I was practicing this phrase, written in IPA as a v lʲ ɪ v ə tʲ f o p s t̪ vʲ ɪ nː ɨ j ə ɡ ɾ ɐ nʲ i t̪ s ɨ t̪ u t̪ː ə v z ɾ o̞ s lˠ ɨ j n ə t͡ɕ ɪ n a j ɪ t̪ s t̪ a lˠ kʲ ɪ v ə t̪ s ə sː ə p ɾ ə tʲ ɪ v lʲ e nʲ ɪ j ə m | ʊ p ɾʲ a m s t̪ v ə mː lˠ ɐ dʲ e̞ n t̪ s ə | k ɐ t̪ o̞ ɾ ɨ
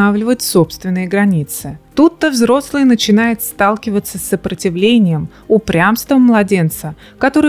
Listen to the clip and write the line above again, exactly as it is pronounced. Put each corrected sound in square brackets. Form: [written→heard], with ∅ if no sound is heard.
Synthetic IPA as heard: a v lʲ ɪ v ə tʲ [f→s] o p s t̪ vʲ ɪ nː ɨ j ə ɡ ɾ ɐ nʲ i t̪ s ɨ t̪ u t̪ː ə v z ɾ o̞ s lˠ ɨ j n ə t͡ɕ ɪ n a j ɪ t̪ s t̪ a lˠ kʲ ɪ v ə t̪ s ə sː ə p ɾ ə tʲ ɪ v lʲ e nʲ ɪ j ə m | ʊ p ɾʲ a m s t̪ v ə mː lˠ ɐ dʲ e̞ n t̪ s ə | k ɐ t̪ o̞ ɾ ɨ